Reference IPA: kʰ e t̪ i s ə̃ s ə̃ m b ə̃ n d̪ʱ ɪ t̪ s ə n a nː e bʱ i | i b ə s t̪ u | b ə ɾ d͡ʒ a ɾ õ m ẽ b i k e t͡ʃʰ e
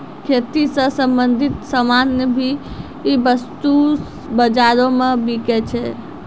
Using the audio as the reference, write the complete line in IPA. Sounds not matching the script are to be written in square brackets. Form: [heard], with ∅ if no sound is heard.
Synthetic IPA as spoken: kʰ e t̪ i s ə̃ s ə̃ m b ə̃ n d̪ʱ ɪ t̪ s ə [m] a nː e bʱ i | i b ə s t̪ u | b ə [∅] d͡ʒ a ɾ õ m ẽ b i k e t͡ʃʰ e